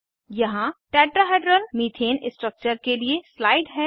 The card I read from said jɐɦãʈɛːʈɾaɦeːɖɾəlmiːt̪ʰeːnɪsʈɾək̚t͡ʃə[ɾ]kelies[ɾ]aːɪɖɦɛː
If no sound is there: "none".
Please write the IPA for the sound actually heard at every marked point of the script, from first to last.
ɾ, l

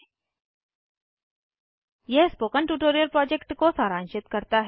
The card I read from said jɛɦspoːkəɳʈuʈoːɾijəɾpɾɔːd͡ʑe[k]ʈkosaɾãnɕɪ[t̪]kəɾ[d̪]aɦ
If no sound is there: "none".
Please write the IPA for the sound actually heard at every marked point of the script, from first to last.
k, t̪, t̪

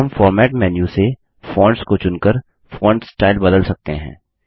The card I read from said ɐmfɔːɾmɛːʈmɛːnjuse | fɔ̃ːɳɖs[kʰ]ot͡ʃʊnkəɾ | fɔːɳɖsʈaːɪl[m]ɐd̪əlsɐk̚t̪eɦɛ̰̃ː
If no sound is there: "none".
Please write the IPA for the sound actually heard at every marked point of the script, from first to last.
k, b

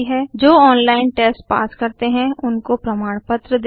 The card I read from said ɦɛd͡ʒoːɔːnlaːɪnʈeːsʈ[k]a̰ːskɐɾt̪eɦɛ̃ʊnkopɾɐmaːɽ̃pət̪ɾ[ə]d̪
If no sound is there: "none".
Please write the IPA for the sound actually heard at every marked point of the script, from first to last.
p, ə

